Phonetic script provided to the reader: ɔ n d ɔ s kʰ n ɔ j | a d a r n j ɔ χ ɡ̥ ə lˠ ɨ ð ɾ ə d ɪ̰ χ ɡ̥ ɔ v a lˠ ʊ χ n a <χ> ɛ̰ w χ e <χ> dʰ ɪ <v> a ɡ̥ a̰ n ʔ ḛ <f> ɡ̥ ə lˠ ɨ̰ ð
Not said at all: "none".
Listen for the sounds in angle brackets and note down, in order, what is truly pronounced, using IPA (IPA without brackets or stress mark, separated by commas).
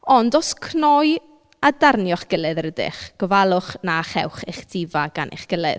χ, χ, v, χ